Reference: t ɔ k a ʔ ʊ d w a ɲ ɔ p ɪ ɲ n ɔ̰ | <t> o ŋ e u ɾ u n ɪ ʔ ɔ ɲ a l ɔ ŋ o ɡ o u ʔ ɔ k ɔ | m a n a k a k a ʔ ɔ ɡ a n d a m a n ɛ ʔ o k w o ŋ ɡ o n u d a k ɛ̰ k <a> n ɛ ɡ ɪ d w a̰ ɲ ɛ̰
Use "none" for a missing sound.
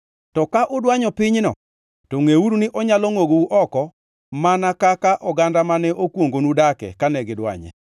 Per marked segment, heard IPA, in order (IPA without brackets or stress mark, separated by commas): t, a